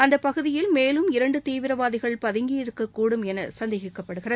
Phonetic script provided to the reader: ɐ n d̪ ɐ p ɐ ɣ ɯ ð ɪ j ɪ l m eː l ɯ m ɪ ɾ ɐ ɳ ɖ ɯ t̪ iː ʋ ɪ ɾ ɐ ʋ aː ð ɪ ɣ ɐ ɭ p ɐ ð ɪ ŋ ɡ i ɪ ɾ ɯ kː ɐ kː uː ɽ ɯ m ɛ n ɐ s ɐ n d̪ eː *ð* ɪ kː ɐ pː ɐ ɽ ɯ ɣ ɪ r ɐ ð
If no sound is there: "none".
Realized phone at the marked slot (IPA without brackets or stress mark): ɣ